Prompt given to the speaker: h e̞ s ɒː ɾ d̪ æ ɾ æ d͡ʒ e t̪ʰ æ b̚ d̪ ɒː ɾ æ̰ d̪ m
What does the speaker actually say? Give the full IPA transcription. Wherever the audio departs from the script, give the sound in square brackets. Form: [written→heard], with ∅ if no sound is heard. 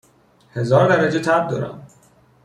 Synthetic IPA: h e̞ [s→z] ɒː ɾ d̪ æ ɾ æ d͡ʒ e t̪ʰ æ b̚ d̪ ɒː ɾ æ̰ [d̪→∅] m